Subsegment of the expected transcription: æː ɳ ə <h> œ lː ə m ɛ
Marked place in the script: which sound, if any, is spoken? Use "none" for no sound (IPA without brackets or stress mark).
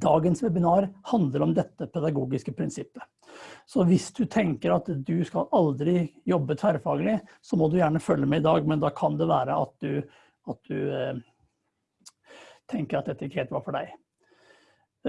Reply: f